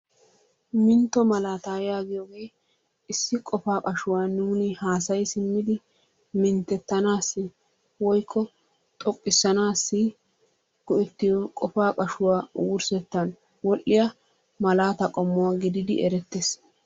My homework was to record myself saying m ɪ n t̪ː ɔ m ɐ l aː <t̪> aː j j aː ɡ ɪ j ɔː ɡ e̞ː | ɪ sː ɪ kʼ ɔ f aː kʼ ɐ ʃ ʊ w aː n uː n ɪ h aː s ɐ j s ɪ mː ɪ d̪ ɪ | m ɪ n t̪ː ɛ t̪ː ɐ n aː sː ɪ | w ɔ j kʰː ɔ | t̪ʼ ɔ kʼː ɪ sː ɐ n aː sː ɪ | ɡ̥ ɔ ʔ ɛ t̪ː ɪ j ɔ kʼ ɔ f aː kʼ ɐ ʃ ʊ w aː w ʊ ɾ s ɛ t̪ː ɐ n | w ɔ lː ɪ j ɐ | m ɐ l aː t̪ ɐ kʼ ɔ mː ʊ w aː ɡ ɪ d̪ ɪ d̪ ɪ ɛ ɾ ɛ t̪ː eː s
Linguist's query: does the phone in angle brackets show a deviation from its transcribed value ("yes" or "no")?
no